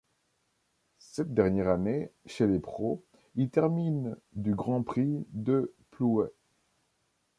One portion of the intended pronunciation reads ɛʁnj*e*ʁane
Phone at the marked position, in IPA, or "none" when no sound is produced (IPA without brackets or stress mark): ɛ